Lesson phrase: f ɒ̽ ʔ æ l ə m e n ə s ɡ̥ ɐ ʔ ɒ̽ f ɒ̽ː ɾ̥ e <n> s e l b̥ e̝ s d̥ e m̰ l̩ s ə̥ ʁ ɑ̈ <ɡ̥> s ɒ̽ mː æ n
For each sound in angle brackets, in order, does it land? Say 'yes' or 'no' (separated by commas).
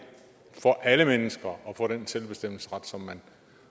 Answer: yes, no